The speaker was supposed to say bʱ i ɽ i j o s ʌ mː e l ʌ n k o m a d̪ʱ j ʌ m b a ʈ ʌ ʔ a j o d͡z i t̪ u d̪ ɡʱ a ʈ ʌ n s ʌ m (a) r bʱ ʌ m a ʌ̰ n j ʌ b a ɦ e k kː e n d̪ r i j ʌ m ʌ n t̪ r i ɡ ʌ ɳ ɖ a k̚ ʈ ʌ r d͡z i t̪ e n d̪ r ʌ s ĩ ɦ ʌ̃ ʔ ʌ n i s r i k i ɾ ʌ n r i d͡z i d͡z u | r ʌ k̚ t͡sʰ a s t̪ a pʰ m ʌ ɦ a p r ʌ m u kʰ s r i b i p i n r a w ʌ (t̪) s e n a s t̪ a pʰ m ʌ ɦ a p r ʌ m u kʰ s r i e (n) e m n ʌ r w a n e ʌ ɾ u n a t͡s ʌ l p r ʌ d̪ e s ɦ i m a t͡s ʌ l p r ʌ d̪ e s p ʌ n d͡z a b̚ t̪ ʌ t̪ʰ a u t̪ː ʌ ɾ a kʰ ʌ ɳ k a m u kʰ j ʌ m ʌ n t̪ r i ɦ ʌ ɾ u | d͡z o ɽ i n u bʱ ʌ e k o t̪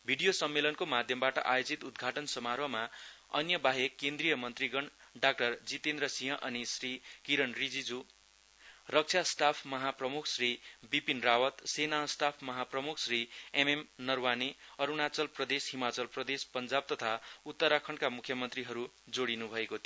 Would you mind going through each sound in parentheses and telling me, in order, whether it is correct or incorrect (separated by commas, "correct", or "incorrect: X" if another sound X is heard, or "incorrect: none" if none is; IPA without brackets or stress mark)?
correct, correct, incorrect: m